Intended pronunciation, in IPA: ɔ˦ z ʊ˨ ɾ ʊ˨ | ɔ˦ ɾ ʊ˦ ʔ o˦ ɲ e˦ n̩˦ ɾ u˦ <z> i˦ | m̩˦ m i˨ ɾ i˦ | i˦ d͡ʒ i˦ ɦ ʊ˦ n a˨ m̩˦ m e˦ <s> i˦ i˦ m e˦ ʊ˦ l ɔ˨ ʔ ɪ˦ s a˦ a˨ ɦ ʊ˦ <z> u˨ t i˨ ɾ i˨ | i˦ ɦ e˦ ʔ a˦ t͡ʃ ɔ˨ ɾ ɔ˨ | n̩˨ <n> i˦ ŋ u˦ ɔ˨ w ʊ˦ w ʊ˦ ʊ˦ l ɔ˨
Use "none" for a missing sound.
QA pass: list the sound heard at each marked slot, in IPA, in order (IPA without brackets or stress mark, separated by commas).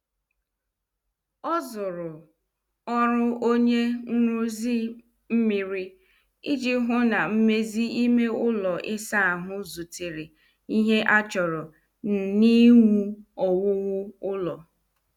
z, z, z, n